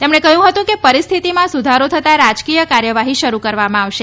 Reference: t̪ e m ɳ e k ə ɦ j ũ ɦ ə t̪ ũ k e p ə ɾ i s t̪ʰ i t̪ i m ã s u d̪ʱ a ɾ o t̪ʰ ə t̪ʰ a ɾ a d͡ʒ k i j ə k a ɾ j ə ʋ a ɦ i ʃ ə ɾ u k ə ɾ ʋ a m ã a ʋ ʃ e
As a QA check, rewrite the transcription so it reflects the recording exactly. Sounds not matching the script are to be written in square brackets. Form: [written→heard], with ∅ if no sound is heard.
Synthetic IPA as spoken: t̪ e m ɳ e k ə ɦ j ũ ɦ ə t̪ ũ k e p ə ɾ i s t̪ʰ i t̪ i m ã s u d̪ʱ a ɾ o t̪ʰ ə [t̪ʰ→t̪] a ɾ a d͡ʒ k i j ə k a ɾ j ə ʋ a ɦ i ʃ ə ɾ u k ə ɾ ʋ a m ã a ʋ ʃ e

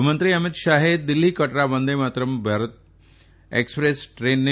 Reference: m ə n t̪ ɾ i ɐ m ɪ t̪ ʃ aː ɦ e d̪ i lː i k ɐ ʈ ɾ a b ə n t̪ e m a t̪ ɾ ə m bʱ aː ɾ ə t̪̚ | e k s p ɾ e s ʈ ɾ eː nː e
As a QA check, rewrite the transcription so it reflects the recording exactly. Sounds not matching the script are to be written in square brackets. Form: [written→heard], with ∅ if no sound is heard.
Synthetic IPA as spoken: m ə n t̪ ɾ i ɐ m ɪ t̪ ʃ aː ɦ e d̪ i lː i k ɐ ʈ ɾ a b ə n [t̪→d̪] e m a t̪ ɾ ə m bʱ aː ɾ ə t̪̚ | e k s p ɾ e s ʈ ɾ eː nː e

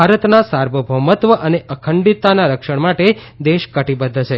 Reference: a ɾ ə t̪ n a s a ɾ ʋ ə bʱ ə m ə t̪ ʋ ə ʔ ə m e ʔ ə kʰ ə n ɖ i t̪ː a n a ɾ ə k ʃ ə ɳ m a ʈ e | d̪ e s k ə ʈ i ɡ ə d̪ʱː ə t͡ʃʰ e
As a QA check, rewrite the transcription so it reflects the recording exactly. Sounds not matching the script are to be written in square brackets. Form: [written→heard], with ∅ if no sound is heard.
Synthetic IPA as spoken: a ɾ ə t̪ n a s a ɾ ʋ ə bʱ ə m ə t̪ ʋ ə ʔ ə [m→n] e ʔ ə kʰ ə [n→ɳ] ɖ i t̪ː a n a ɾ ə k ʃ ə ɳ m a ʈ e | d̪ e [s→ʃ] k ə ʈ i [ɡ→b] ə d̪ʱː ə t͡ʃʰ e

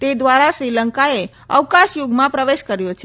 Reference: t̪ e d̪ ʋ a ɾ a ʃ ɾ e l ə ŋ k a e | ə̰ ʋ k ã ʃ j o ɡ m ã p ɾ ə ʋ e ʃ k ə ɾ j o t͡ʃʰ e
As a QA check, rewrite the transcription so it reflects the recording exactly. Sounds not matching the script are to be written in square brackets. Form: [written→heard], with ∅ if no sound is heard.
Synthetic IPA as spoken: t̪ e d̪ ʋ a ɾ a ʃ ɾ [e→i] l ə ŋ k a e | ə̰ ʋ k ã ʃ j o ɡ m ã p ɾ ə ʋ e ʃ k ə ɾ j o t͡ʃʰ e

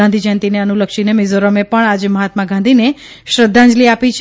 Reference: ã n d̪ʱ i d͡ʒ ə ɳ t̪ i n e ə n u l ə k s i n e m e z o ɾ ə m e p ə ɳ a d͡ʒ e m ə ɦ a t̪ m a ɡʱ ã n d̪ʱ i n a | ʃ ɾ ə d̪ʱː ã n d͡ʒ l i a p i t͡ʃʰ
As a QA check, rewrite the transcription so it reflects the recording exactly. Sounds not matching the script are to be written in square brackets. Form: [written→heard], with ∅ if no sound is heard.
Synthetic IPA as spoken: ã n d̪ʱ i d͡ʒ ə [ɳ→n] t̪ i n e ə n u l ə k [s→ʃ] i n e m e z o ɾ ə m e p ə ɳ a d͡ʒ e m ə ɦ a t̪ m a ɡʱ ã n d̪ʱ i n [a→e] | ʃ ɾ ə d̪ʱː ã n d͡ʒ l i a p i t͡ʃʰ

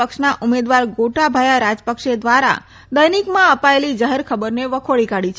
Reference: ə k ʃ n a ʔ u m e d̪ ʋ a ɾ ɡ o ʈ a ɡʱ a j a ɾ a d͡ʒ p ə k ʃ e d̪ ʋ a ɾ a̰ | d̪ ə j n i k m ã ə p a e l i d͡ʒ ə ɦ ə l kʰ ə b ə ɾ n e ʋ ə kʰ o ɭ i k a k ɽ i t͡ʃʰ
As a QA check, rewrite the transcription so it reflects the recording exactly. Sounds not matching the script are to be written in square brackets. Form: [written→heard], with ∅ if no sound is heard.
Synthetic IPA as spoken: ə k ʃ n a ʔ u m e d̪ ʋ a ɾ ɡ o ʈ a [ɡʱ→bʱ] a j a ɾ a d͡ʒ p ə k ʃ e d̪ ʋ a ɾ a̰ | d̪ ə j n i k m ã ə p a e l i d͡ʒ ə ɦ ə [l→ɾ] kʰ ə b ə ɾ n e ʋ ə kʰ o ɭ i k a [k→∅] ɽ i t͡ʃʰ

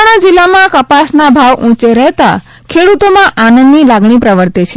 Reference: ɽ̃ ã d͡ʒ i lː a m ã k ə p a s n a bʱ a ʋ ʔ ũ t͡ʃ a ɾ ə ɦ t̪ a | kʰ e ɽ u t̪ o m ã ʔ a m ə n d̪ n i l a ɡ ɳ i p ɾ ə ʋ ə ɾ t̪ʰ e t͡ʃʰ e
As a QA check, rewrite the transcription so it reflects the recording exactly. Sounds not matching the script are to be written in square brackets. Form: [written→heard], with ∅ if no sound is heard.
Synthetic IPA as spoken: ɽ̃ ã d͡ʒ i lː a m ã k ə p a s n a bʱ a ʋ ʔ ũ t͡ʃ [a→e] ɾ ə ɦ t̪ a | kʰ e ɽ u t̪ o m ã ʔ a [m→n] ə n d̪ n i l a ɡ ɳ i p ɾ ə ʋ ə ɾ [t̪ʰ→t̪] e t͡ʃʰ e

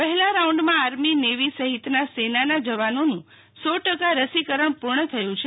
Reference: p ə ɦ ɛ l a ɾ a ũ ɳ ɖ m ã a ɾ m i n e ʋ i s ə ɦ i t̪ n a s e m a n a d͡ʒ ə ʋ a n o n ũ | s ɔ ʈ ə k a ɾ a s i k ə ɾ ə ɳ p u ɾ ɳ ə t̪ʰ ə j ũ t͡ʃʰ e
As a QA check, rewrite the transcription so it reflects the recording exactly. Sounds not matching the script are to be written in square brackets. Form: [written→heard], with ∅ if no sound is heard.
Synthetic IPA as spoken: p ə ɦ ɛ l a ɾ a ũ ɳ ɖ m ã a ɾ m i n e ʋ i s ə ɦ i t̪ n a s e [m→n] a n a d͡ʒ ə ʋ a n o n ũ | s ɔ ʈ ə k a ɾ [a→ə] s i k ə ɾ ə ɳ p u ɾ ɳ ə t̪ʰ ə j ũ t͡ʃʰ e

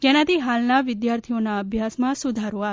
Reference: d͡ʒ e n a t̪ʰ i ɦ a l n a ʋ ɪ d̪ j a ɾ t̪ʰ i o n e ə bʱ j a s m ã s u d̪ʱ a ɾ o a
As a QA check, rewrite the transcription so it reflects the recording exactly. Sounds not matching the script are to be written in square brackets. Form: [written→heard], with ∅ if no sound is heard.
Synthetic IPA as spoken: d͡ʒ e n a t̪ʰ i ɦ a l n a ʋ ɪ d̪ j a ɾ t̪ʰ i o n [e→a] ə bʱ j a s m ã s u d̪ʱ a ɾ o a

